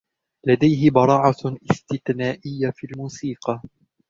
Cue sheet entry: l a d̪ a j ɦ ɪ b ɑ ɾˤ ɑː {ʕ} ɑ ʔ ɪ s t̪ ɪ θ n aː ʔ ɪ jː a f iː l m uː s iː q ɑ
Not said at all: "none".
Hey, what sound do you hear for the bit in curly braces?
ʕ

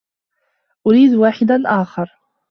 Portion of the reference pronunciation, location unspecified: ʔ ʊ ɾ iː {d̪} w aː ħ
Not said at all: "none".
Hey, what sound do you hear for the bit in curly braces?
d̪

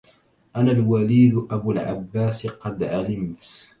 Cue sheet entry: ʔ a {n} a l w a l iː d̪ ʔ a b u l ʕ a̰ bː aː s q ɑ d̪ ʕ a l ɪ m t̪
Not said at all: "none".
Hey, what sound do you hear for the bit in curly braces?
n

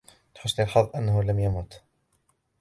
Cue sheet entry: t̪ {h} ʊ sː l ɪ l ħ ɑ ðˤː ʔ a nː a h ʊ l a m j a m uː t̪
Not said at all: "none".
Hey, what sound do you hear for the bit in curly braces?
ħ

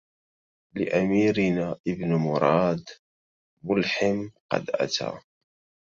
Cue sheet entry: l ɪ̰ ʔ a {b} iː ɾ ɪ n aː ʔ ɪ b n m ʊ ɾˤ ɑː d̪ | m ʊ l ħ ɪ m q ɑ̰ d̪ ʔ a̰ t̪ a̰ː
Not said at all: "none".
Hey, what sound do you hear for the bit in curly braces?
m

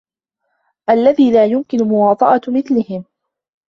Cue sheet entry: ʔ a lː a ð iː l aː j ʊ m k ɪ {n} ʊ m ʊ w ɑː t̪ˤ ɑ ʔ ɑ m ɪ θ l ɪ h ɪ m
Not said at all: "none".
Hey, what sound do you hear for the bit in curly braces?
n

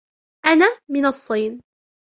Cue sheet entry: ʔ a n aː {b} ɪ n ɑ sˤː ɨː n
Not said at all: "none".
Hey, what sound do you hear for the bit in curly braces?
m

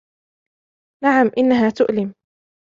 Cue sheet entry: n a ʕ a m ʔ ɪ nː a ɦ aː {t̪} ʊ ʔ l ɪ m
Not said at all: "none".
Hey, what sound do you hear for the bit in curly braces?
t̪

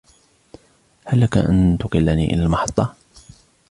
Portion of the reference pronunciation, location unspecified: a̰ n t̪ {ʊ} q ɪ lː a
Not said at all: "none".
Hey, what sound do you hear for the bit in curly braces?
ʊ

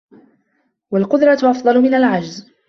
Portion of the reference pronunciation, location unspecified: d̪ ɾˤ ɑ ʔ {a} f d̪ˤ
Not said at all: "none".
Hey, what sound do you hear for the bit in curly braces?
ɑ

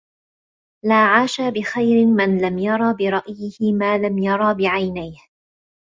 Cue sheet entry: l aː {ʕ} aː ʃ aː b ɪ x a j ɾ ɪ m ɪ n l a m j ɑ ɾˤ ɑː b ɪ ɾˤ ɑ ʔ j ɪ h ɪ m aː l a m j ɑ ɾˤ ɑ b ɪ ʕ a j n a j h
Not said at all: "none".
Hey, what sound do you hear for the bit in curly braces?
ʕ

